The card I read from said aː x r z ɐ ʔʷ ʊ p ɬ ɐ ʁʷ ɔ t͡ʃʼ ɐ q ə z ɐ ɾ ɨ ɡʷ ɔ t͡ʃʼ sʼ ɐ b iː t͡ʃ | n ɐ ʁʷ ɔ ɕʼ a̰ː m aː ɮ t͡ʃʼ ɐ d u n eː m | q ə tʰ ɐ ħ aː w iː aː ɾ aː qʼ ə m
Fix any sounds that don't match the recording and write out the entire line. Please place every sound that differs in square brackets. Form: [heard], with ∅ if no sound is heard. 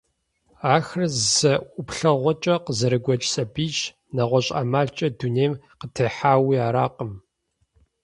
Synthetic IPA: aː x r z ɐ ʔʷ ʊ p ɬ ɐ ʁʷ ɔ t͡ʃʼ ɐ q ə z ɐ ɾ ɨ ɡʷ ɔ t͡ʃʼ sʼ ɐ b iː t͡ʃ | n ɐ ʁʷ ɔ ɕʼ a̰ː m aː ɮ t͡ʃʼ ɐ d u n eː m | q ə tʰ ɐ ħ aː w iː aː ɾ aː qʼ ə m